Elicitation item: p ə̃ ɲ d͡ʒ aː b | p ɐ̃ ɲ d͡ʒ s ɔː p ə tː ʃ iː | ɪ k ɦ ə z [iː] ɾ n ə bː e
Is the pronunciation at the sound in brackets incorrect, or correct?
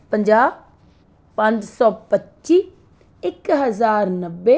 incorrect